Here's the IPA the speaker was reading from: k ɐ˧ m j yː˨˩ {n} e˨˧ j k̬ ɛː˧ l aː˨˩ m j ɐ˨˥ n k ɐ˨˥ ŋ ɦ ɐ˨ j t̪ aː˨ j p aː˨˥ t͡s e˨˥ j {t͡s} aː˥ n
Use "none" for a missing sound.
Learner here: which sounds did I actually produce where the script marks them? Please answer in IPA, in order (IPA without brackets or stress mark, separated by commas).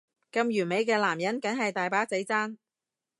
m, t͡s